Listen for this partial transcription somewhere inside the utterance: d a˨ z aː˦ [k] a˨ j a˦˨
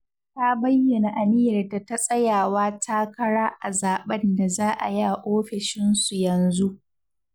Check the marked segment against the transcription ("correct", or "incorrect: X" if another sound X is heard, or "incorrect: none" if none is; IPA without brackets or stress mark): incorrect: ʔ